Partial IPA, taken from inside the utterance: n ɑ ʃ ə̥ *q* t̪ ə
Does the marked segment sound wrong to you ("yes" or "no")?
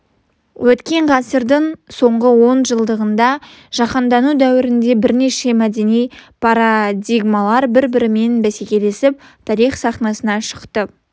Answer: no